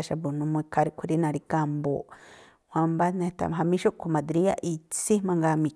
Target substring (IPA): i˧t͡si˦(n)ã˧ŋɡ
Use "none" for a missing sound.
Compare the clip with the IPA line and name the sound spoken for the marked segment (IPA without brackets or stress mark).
m